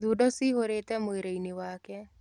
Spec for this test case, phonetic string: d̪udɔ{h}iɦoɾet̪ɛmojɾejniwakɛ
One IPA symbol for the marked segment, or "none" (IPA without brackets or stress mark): s